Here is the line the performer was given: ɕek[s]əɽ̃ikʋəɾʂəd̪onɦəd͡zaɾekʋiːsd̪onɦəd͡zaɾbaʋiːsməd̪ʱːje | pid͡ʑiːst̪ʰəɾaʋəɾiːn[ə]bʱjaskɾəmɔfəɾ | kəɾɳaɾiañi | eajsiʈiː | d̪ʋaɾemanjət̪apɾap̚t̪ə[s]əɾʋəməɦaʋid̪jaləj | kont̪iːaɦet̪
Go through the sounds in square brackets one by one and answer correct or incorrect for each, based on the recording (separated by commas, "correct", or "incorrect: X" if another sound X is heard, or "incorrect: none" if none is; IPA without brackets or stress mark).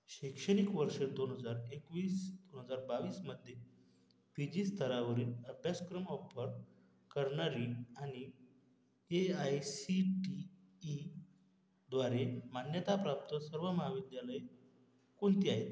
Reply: incorrect: ʂ, correct, correct